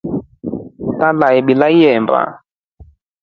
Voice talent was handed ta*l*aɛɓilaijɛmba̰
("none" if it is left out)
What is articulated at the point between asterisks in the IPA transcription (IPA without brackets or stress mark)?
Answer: l